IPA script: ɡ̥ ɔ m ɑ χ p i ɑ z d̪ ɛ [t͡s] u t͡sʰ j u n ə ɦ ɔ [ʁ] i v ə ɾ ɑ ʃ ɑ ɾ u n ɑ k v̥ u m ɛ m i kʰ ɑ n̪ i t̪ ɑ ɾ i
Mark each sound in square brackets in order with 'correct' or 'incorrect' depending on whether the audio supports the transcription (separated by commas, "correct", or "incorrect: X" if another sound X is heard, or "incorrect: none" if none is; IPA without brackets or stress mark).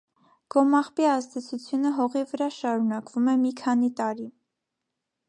incorrect: t͡sʰ, correct